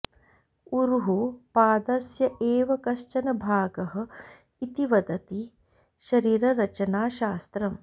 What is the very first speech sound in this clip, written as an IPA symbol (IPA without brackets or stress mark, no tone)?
u